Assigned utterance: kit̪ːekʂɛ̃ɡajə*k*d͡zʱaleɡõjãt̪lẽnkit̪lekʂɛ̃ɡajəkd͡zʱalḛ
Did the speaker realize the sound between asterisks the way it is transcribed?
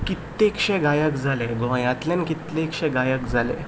yes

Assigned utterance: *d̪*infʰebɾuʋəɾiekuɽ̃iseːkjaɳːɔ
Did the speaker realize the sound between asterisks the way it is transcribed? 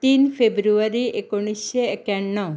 no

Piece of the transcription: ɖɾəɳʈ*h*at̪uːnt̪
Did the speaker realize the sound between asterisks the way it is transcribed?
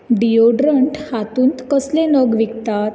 yes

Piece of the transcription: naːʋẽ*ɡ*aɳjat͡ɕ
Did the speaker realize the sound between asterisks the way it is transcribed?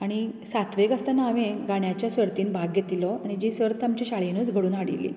yes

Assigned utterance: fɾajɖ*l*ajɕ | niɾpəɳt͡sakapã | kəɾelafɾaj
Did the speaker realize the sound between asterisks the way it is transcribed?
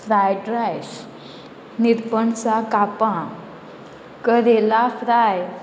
no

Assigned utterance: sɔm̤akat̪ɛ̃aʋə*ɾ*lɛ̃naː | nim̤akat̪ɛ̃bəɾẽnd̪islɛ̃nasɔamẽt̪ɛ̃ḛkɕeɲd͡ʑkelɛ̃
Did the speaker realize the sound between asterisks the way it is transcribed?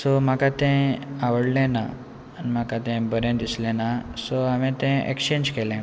no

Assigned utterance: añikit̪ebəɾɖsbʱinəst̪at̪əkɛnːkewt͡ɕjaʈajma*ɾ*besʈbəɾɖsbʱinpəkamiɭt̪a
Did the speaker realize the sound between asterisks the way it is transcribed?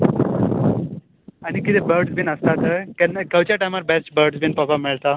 yes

